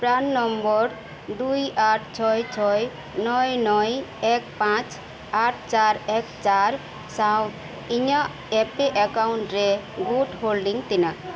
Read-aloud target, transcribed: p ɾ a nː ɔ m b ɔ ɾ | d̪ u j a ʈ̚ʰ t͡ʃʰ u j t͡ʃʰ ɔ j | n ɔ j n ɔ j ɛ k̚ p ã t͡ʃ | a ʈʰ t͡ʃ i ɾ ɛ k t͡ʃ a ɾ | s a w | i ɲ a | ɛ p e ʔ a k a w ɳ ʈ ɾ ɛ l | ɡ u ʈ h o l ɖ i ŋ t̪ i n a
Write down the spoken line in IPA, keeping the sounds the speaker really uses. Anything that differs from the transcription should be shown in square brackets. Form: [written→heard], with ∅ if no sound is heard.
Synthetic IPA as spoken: p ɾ a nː ɔ m b ɔ ɾ | d̪ u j a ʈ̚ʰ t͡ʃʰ [u→ɔ] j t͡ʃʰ ɔ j | n ɔ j n ɔ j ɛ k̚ p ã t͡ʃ | a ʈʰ t͡ʃ [i→a] ɾ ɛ k t͡ʃ a ɾ | s a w | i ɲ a | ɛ p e ʔ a k a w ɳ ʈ ɾ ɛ [l→∅] | ɡ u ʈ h o l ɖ i ŋ t̪ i n a